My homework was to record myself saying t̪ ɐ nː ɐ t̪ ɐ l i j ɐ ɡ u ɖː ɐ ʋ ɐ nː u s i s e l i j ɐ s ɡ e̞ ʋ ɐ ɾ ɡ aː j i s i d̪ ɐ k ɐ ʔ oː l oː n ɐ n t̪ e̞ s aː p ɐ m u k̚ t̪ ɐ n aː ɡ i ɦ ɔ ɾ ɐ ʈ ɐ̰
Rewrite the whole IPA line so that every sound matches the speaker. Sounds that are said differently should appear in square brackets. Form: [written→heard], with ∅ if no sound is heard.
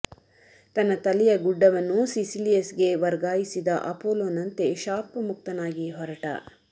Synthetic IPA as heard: t̪ ɐ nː ɐ t̪ ɐ l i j ɐ ɡ u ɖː ɐ ʋ ɐ nː u s i s [e→i] l i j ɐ s ɡ e̞ ʋ ɐ ɾ ɡ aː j i s i d̪ ɐ [k→ʔ] ɐ [ʔ→p] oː l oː n ɐ n t̪ e̞ [s→ʃ] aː p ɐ m u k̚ t̪ ɐ n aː ɡ i ɦ ɔ ɾ ɐ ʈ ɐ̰